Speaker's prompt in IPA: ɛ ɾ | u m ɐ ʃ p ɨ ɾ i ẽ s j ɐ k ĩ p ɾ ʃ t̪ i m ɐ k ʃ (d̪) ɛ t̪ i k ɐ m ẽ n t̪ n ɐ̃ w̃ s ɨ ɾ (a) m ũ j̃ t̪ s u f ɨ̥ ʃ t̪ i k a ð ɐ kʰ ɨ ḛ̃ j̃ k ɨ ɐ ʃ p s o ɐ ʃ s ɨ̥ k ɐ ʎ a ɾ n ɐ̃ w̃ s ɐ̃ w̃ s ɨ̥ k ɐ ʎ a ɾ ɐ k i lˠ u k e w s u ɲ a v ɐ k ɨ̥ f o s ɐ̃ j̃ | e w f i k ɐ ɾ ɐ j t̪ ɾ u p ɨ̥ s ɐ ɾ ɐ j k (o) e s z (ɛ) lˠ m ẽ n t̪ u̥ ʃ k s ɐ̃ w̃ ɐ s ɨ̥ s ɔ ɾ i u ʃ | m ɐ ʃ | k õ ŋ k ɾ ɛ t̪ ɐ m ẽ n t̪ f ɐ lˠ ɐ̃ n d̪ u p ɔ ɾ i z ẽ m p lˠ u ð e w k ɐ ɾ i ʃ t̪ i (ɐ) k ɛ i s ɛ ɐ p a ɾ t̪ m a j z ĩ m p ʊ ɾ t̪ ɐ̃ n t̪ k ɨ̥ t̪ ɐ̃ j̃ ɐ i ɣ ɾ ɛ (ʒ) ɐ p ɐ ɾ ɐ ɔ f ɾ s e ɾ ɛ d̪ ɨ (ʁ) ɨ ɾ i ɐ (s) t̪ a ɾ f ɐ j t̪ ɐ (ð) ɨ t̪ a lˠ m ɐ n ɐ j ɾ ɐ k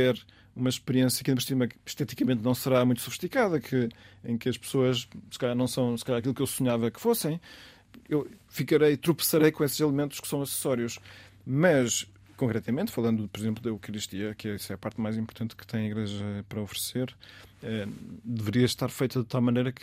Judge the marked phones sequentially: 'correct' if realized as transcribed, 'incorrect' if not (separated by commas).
incorrect, correct, incorrect, incorrect, correct, correct, incorrect, incorrect, correct